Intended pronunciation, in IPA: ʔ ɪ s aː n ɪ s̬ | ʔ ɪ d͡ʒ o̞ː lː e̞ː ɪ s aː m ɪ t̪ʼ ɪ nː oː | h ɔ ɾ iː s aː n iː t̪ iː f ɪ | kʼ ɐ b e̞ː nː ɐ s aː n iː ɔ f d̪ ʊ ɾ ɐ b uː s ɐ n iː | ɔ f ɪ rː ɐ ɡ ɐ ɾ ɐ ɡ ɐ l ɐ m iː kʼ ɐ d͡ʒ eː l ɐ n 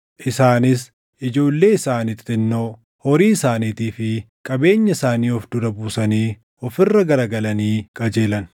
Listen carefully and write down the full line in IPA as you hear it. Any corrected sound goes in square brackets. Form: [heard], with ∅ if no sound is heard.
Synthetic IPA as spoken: ʔ ɪ s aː n ɪ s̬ | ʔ ɪ d͡ʒ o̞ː lː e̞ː ɪ s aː [n] ɪ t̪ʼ ɪ nː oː | h ɔ ɾ iː s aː n iː t̪ iː f ɪ | kʼ ɐ b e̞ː [ɲː] ɐ s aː n iː ɔ f d̪ ʊ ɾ ɐ b uː s ɐ n iː | ɔ f ɪ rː ɐ ɡ ɐ ɾ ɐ ɡ ɐ l ɐ [n] iː kʼ ɐ d͡ʒ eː l ɐ n

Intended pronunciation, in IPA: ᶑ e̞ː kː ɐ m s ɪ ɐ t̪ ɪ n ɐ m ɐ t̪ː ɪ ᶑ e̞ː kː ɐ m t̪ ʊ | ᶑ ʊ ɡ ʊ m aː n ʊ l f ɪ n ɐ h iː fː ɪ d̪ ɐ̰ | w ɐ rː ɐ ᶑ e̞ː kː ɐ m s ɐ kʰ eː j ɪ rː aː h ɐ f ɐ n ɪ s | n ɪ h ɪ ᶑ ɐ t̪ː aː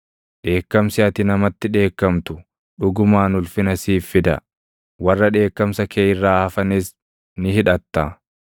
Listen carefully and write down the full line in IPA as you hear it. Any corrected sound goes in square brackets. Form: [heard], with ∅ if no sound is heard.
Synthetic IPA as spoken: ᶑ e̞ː kː ɐ m s ɪ ɐ t̪ ɪ n ɐ m ɐ t̪ː ɪ ᶑ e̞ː kː ɐ m t̪ ʊ | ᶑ ʊ ɡ ʊ m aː n ʊ l f ɪ n ɐ [s] iː fː ɪ d̪ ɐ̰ | w ɐ rː ɐ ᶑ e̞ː kː ɐ m s ɐ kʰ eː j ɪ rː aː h ɐ f ɐ n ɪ s | n ɪ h ɪ ᶑ ɐ t̪ː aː

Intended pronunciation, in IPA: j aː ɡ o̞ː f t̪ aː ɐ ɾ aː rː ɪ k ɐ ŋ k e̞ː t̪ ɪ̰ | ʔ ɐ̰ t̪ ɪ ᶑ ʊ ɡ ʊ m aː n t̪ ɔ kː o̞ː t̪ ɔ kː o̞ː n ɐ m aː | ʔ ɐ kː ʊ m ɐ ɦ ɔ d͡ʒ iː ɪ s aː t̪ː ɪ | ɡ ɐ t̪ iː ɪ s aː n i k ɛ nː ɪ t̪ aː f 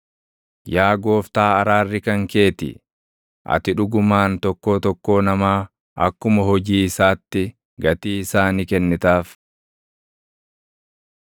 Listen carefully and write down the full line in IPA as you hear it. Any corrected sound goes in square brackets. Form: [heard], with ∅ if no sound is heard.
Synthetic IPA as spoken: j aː ɡ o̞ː f t̪ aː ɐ ɾ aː rː ɪ k ɐ ŋ k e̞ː t̪ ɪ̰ | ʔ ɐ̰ t̪ ɪ ᶑ ʊ ɡ ʊ m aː n t̪ ɔ kː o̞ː t̪ ɔ kː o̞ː n ɐ m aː | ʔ ɐ kː ʊ m ɐ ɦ ɔ d͡ʒ iː ɪ s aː t̪ː ɪ | ɡ ɐ t̪ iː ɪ s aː n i k ɛ nː ɪ t̪ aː f

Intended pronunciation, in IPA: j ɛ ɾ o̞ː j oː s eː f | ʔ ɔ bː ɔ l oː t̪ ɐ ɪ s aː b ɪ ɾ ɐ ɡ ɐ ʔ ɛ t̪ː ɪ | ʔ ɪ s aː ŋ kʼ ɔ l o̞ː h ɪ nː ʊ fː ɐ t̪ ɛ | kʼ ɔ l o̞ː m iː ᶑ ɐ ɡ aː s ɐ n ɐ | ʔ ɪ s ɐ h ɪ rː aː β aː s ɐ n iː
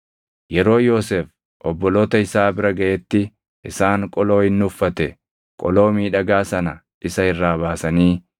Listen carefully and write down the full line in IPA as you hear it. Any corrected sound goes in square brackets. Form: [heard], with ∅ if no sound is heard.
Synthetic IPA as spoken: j ɛ ɾ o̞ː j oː s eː f | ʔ ɔ bː ɔ l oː t̪ ɐ ɪ s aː b ɪ ɾ ɐ ɡ ɐ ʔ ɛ t̪ː ɪ | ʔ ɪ s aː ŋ kʼ ɔ l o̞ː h ɪ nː ʊ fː ɐ t̪ ɛ | kʼ ɔ l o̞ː m iː ᶑ ɐ ɡ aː s ɐ n ɐ | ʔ ɪ s ɐ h ɪ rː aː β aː s ɐ n iː

